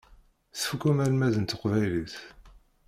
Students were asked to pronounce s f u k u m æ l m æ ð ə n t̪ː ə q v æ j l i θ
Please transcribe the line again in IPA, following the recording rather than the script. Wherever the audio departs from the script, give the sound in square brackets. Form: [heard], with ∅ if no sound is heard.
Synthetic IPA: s f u k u m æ l m æ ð ə n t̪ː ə q v æ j l i θ